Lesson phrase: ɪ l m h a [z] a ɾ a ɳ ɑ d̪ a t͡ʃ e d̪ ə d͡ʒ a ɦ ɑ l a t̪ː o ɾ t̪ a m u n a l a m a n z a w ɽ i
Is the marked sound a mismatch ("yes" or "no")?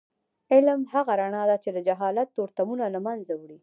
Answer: yes